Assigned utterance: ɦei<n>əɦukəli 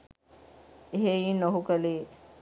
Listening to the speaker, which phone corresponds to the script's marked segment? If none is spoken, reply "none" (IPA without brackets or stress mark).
n